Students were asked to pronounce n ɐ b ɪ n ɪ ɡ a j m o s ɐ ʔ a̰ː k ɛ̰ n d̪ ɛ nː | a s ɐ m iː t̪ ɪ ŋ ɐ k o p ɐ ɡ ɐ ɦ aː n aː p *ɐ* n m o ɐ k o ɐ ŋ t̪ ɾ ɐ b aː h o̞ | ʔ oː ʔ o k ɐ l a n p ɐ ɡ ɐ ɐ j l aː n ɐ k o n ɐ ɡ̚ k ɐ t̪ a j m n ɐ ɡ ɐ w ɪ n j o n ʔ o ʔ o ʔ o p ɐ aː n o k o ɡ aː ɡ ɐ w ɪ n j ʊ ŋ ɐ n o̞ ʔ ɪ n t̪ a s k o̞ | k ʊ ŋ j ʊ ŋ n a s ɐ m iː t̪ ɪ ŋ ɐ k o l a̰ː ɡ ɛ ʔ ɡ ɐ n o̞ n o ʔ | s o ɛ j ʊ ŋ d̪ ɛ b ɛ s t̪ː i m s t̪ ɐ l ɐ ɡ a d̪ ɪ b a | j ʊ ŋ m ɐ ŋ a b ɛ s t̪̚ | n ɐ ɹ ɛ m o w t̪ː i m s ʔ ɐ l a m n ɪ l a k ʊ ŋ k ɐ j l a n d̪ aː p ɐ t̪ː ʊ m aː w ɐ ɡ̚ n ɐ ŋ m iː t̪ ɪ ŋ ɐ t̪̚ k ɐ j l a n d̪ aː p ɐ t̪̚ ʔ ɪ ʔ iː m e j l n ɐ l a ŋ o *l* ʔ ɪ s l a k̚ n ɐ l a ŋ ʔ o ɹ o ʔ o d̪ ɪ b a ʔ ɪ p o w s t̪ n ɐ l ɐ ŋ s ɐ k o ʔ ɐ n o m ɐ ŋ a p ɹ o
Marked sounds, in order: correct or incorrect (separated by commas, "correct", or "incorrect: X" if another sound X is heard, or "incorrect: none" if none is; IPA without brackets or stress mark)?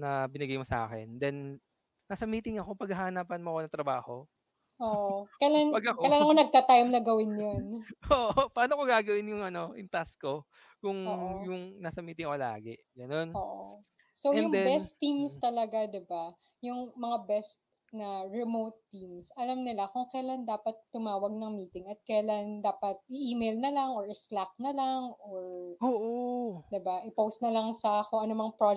correct, incorrect: ɹ